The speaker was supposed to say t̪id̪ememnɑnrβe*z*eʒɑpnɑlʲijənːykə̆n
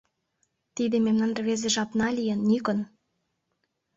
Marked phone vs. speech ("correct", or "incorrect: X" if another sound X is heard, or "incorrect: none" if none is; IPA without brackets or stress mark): correct